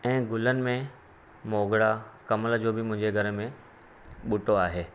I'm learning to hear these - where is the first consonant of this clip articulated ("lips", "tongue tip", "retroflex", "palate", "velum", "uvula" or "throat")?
velum